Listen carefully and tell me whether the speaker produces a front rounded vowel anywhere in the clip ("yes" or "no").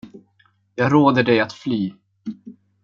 yes